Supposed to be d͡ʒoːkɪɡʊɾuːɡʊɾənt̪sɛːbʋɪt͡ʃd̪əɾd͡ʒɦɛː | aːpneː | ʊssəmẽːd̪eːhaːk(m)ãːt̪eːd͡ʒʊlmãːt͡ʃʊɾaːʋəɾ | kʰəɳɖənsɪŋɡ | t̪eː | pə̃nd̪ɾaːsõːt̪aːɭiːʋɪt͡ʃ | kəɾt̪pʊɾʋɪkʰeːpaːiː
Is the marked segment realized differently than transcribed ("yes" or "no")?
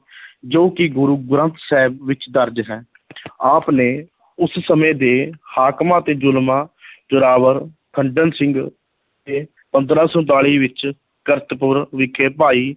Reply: no